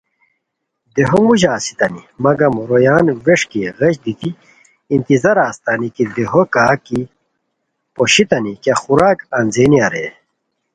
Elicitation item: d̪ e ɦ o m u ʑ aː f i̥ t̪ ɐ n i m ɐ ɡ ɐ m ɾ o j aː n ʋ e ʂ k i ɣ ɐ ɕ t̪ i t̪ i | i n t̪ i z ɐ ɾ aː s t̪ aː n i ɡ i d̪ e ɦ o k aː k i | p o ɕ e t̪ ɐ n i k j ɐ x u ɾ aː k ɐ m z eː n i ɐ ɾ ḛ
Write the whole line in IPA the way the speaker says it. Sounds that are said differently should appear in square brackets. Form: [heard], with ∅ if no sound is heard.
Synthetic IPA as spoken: d̪ e ɦ o m u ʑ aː [s] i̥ t̪ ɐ n i m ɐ ɡ ɐ m ɾ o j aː n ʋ e ʂ k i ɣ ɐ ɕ [d̪] i t̪ i | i n t̪ i z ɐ ɾ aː s t̪ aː n i [k] i d̪ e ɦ o k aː k i | p o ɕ [i] t̪ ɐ n i k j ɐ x u ɾ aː k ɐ [n] z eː n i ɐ ɾ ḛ